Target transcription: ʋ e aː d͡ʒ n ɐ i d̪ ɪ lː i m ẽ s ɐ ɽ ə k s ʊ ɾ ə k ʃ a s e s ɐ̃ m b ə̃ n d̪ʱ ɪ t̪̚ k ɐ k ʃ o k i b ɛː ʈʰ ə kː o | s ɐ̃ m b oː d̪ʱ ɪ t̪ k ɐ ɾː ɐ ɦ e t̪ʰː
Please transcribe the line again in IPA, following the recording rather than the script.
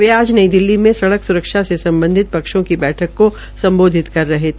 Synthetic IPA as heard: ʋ e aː d͡ʒ n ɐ i d̪ ɪ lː i m ẽ s ɐ ɽ ə k s ʊ ɾ ə k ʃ a s e s ɐ̃ m b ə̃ n d̪ʱ ɪ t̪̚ p ɐ k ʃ õ k i b ɛː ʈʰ ə kː o | s ɐ̃ m b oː d̪ʱ ɪ t̪ k ɐ ɾː ɐ ɦ e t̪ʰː